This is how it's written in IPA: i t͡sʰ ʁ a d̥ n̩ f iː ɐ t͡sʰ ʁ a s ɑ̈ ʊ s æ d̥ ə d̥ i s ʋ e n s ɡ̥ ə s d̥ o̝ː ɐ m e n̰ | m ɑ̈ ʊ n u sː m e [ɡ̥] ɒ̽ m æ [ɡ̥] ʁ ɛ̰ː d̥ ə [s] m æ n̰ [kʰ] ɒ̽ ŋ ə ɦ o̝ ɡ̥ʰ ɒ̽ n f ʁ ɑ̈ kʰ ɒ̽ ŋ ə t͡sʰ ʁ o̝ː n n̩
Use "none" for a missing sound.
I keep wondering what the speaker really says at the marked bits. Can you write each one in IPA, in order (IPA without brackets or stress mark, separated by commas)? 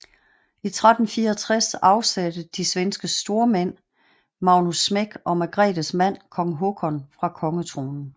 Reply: ɡ̥, ɡ̥, s, kʰ